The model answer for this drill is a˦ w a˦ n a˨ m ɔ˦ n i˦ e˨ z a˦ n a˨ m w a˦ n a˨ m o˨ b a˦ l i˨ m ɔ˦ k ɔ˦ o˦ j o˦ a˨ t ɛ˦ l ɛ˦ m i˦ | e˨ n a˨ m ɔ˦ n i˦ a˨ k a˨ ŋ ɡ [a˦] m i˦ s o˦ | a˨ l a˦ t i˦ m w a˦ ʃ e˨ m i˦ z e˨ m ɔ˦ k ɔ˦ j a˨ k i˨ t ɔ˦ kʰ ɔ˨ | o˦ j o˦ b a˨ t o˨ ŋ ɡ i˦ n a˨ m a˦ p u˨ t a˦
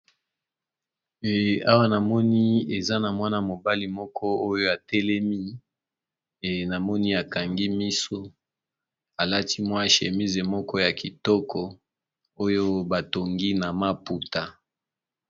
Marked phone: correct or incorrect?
incorrect